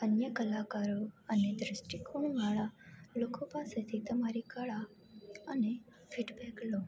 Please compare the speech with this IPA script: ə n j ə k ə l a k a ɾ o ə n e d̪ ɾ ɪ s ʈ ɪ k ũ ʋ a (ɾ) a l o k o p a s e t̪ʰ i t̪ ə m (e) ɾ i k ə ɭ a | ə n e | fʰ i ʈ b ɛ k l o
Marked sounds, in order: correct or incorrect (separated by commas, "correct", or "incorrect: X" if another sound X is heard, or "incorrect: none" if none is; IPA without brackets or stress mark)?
incorrect: ɭ, incorrect: a